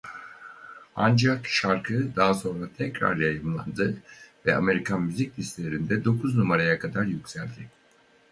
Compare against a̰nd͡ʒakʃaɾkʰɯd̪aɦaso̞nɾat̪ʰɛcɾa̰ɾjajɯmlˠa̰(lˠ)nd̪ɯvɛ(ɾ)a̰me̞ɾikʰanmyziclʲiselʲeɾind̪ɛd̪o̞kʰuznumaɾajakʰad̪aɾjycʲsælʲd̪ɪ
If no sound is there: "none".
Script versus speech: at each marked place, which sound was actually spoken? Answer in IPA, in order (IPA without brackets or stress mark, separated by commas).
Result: none, none